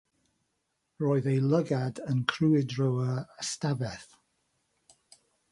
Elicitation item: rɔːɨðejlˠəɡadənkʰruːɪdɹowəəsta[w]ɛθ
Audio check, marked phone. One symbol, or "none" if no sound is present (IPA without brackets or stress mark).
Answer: v